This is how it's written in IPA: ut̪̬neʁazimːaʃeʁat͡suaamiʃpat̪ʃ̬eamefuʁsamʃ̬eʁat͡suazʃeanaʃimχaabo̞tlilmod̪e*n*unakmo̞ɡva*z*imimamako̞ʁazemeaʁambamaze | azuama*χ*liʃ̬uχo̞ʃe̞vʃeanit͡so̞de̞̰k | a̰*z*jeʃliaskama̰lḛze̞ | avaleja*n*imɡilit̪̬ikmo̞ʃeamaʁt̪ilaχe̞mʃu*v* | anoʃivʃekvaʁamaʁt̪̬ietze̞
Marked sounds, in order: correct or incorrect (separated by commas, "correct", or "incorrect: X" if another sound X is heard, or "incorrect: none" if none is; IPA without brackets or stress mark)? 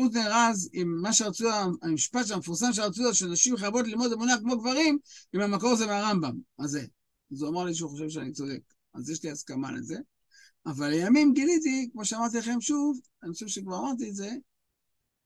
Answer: incorrect: m, incorrect: ʁ, incorrect: ʁ, correct, incorrect: m, correct